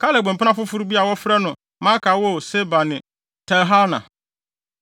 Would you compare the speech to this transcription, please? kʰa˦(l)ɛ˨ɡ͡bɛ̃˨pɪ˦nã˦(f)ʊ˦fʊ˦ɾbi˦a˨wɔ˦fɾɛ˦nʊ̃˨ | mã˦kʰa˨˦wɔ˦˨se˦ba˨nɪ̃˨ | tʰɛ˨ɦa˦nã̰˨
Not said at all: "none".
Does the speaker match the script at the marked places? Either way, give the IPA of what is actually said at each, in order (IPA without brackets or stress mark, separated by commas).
l, f